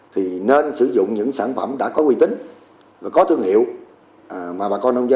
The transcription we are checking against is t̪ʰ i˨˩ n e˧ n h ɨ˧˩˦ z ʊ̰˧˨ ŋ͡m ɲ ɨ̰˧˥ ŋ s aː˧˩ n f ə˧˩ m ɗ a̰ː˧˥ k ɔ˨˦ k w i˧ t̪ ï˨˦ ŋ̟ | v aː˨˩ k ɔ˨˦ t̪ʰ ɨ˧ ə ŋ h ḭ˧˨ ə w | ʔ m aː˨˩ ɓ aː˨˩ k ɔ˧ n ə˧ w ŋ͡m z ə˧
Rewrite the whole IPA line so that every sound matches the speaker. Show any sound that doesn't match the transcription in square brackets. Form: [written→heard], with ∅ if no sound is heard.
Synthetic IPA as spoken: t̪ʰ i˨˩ n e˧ n [h→s] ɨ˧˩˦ z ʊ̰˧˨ ŋ͡m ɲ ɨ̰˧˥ ŋ s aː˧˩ n f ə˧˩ m ɗ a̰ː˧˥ k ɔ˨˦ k w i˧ t̪ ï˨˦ ŋ̟ | v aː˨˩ k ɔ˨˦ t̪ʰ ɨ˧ ə ŋ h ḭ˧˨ ə w | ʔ m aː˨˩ ɓ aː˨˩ k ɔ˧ n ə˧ w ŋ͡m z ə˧